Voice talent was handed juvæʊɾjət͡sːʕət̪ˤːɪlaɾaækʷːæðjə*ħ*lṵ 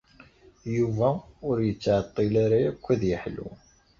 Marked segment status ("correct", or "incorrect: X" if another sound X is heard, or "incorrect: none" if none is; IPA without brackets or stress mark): correct